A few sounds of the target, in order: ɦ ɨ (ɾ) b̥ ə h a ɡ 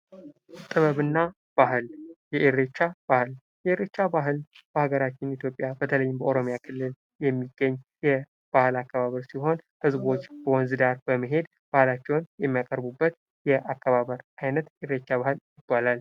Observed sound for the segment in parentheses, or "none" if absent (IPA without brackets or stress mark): l